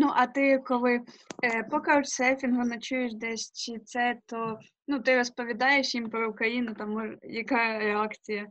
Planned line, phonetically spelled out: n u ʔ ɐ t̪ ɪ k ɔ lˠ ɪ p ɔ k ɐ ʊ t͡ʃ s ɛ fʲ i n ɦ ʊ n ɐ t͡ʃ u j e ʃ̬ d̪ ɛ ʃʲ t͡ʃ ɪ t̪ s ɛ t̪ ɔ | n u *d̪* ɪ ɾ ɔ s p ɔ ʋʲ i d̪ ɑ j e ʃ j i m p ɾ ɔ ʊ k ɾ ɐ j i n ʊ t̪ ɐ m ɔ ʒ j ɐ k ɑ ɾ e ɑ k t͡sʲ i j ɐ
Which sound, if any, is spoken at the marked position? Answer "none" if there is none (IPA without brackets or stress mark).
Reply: t̪